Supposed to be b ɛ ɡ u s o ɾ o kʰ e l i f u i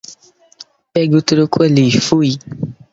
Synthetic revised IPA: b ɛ ɡ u t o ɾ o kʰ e l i f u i